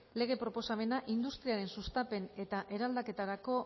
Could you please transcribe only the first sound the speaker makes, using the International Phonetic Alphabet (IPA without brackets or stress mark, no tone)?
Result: l